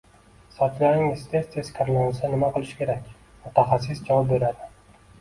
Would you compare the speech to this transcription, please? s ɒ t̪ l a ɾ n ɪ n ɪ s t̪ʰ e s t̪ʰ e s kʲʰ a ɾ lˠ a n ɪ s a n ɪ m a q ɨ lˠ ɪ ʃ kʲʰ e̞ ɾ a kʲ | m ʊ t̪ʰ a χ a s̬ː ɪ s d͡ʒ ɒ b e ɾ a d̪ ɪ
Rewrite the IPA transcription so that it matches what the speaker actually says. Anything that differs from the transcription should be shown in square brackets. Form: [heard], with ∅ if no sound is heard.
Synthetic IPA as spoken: s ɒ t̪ l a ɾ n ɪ [ŋ] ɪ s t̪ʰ e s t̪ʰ e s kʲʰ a ɾ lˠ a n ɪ s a n ɪ m a q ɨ lˠ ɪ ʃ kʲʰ e̞ ɾ a kʲ | m ʊ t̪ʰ a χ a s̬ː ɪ s d͡ʒ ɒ b e ɾ a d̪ ɪ